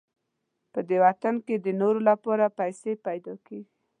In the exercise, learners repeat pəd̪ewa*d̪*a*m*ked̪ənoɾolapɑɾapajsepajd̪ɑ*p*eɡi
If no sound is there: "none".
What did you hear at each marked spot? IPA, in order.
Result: t̪, n, k

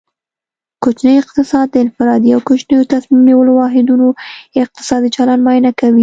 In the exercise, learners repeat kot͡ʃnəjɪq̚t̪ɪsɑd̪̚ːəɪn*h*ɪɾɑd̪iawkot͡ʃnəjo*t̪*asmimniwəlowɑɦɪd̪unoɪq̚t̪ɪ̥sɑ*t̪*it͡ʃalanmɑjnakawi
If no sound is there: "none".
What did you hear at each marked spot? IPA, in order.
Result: f, t̪, d̪

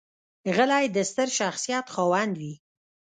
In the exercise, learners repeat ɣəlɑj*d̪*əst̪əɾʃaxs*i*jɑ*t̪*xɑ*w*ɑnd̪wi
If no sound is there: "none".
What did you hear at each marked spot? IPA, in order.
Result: d̪, i, t̪, w

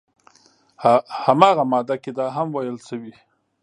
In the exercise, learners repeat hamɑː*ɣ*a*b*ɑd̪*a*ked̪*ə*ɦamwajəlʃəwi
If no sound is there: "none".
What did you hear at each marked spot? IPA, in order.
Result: ɣ, m, a, ɑ

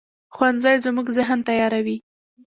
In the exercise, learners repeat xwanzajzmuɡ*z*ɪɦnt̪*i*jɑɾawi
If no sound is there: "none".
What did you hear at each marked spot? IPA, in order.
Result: z, a

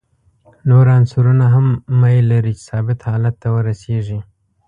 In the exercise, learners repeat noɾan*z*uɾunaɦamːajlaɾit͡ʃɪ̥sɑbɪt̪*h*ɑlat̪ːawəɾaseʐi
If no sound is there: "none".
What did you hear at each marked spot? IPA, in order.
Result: s, h

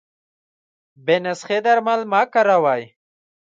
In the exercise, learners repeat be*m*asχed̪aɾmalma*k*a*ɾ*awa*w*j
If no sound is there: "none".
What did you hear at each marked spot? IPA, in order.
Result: n, k, ɾ, none

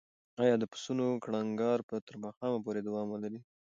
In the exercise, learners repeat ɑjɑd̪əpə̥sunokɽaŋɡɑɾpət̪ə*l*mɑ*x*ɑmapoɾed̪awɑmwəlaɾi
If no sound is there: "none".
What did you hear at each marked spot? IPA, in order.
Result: ɾ, x

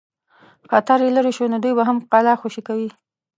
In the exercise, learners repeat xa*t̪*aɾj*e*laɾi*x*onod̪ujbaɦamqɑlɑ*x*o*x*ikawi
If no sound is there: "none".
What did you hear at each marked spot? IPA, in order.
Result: t̪, e, ʃ, x, ʃ

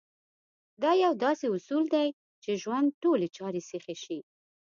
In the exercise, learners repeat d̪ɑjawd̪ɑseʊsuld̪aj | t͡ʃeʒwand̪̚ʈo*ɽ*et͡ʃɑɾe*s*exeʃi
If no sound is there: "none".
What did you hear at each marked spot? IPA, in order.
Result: l, s

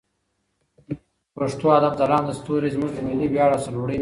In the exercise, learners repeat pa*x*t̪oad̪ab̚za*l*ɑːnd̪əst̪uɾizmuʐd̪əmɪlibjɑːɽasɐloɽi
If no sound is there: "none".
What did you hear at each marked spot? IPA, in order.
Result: ʂ, l

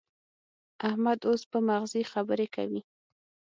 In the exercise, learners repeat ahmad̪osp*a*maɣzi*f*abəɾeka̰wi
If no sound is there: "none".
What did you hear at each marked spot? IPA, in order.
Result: ə, x

